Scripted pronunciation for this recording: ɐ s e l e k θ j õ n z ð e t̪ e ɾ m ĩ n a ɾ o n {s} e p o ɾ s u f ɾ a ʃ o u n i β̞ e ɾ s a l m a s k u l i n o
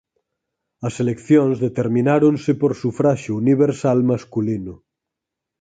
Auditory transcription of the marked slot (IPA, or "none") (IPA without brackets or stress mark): s